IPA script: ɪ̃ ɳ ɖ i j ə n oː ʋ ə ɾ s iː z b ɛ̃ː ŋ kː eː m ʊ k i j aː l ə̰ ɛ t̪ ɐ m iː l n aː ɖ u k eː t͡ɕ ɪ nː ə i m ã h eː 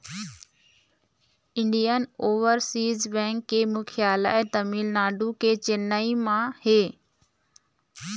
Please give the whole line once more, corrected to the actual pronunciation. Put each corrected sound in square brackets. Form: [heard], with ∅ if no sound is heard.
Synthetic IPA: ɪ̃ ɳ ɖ i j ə n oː ʋ ə ɾ s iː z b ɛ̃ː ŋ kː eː m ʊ [kʰ] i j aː l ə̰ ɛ t̪ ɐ m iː l n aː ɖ u k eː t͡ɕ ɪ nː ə i m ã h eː